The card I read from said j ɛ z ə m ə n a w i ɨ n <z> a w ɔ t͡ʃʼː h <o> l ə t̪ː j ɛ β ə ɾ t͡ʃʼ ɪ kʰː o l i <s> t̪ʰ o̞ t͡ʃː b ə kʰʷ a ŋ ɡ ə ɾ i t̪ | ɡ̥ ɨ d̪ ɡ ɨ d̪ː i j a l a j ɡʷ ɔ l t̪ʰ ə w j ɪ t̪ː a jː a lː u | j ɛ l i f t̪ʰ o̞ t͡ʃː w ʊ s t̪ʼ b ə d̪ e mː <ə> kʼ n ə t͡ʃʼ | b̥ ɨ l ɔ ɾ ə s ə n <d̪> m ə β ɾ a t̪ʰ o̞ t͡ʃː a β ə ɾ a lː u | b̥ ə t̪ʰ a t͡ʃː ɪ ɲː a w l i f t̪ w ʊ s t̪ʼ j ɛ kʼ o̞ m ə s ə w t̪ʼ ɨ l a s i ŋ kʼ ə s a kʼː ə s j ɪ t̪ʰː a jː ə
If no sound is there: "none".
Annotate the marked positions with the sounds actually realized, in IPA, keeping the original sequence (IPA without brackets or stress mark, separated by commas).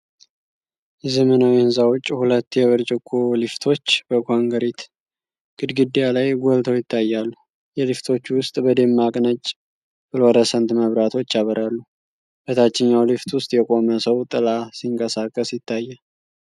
z, u, f, a, t̪